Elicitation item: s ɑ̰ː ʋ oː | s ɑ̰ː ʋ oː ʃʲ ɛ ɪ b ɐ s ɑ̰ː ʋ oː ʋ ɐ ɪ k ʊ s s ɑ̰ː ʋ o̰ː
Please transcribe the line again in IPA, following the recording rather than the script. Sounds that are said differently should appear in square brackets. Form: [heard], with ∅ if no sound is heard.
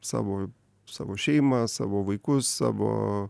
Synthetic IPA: s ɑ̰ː ʋ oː | s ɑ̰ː ʋ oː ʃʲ ɛ ɪ [m] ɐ s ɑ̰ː ʋ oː ʋ ɐ ɪ k ʊ s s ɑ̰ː ʋ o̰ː